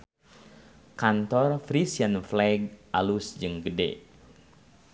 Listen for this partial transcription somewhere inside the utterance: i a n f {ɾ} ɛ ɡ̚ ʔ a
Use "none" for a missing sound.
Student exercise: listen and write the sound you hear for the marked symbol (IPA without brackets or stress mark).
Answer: l